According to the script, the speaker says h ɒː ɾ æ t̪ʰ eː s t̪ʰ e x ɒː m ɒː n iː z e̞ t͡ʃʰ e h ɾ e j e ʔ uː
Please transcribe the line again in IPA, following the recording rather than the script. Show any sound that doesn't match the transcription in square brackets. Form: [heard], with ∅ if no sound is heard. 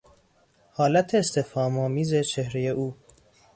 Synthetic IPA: h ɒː [l] æ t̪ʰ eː s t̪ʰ e [f] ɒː m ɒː [m] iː z e̞ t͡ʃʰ e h ɾ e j e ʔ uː